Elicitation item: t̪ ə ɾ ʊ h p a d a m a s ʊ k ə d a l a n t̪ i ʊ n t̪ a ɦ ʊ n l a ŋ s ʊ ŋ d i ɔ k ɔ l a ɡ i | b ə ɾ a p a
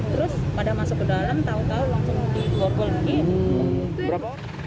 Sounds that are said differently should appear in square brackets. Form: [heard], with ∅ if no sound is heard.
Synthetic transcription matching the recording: t̪ ə ɾ ʊ [s] p a d a m a s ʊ k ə d a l a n t̪ [a] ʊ n t̪ a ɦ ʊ n l a ŋ s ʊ ŋ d i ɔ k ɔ l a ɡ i | b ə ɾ a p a